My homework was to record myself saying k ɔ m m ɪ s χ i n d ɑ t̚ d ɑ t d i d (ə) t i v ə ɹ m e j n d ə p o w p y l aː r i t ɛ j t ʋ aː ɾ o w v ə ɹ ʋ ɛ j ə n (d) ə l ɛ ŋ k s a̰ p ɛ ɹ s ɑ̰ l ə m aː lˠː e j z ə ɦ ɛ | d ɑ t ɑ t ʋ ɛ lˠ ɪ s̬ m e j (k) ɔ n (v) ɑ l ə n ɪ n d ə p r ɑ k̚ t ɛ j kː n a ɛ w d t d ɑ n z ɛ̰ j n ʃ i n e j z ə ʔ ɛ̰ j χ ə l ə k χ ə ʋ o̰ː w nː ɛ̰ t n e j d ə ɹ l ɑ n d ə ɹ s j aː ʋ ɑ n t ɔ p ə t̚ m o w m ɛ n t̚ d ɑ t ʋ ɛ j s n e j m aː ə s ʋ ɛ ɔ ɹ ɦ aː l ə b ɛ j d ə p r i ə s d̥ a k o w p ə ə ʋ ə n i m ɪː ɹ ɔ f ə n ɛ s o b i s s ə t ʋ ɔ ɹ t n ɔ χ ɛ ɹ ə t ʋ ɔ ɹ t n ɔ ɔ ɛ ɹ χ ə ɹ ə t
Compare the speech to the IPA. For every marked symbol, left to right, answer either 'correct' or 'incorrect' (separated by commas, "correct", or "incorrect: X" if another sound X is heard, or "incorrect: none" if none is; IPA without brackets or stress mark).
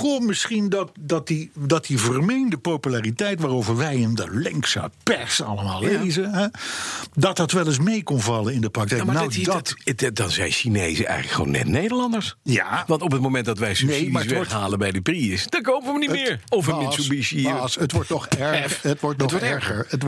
incorrect: ɑ, correct, correct, correct